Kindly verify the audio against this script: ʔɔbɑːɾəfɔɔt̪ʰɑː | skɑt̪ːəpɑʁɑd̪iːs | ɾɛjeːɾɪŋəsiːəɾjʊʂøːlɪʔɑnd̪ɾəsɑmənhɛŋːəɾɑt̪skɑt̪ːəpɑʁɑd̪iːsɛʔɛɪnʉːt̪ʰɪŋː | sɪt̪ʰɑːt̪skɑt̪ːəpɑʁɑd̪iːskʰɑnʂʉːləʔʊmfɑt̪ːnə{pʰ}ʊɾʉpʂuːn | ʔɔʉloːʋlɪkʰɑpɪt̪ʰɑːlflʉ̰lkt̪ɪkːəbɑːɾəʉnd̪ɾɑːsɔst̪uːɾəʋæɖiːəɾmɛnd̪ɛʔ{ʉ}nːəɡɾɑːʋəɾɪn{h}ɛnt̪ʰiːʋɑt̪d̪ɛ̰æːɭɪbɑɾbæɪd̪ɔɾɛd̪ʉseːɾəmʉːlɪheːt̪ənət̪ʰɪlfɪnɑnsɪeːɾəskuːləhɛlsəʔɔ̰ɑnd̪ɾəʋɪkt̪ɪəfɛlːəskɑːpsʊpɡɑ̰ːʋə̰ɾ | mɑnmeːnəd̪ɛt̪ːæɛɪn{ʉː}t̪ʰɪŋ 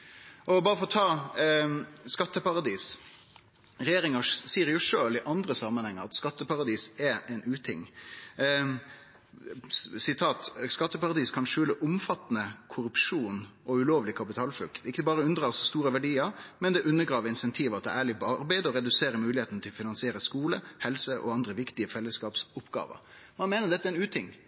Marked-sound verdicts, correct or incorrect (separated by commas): incorrect, correct, incorrect, correct